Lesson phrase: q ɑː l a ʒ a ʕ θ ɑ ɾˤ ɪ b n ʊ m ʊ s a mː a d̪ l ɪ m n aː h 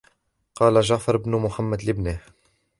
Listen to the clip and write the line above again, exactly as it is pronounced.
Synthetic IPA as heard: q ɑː l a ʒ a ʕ f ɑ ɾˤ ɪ b n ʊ m ʊ ħ a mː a d̪ l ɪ b n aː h